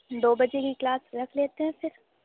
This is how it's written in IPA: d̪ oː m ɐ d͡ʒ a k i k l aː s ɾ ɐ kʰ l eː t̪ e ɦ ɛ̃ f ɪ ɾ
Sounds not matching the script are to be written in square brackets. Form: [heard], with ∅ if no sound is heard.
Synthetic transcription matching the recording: d̪ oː [b] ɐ d͡ʒ [e] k i k l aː s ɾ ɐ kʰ l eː t̪ e ɦ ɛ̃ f ɪ ɾ